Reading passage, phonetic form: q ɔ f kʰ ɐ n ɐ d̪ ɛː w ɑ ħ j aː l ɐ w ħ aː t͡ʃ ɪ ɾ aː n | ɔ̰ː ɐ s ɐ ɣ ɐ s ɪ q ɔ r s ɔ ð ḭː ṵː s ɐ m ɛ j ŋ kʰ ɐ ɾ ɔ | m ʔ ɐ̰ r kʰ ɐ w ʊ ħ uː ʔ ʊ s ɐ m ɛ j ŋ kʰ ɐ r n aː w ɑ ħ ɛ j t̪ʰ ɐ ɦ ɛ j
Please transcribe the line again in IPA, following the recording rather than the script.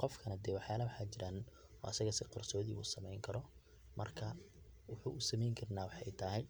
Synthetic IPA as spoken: q ɔ f kʰ ɐ n ɐ d̪ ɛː w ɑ ħ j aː l ɐ w ħ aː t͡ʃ ɪ ɾ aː n | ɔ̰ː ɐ s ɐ ɣ ɐ s ɪ q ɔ r s ɔː ð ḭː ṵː s ɐ m ɛ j ŋ kʰ ɐ ɾ ɔ | m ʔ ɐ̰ r kʰ ɐ w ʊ ħ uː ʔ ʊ s ɐ m ɛ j ŋ kʰ ɐ r n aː w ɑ ħ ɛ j t̪ʰ ɐ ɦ ɛ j